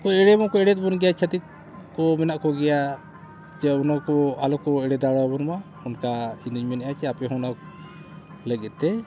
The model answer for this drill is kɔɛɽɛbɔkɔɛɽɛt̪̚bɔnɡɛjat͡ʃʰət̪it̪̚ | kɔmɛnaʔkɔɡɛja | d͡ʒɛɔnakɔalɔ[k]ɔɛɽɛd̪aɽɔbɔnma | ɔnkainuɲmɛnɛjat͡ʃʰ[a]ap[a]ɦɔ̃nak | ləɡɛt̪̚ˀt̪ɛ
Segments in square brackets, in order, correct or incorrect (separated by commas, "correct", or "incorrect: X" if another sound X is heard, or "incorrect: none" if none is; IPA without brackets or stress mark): correct, incorrect: ɛ, incorrect: ɛ